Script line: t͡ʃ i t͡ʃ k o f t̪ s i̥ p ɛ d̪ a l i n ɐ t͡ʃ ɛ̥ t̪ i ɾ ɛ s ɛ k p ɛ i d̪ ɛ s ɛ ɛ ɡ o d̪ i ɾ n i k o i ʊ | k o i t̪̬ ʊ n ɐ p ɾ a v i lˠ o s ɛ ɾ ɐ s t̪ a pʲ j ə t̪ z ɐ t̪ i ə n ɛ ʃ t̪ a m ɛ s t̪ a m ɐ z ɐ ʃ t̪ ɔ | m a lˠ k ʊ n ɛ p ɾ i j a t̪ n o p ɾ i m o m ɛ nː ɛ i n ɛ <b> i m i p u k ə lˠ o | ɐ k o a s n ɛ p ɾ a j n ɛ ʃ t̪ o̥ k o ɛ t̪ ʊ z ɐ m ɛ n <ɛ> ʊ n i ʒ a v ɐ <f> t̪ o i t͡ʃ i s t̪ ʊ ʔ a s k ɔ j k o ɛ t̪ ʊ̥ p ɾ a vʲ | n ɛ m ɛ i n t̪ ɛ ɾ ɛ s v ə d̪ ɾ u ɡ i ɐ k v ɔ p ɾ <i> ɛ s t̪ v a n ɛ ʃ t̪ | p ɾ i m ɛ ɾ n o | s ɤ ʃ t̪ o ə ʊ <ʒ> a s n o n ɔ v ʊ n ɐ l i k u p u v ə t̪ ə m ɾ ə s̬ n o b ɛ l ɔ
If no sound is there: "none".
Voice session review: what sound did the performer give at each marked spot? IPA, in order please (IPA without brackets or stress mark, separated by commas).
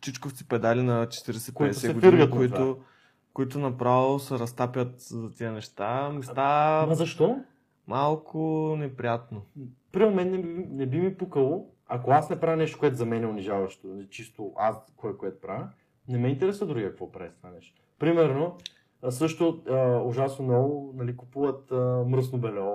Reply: b, ɛ, ʃ, a, ʒ